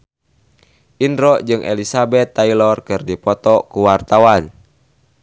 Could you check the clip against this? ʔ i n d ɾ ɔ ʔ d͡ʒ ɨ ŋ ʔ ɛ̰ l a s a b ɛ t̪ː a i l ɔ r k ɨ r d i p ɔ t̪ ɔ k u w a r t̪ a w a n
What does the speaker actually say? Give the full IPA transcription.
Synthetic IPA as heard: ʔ i n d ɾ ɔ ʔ d͡ʒ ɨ ŋ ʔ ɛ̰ l i s a b ɛ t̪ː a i l ɔ r k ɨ r d i p ɔ t̪ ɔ k u w a r t̪ a w a n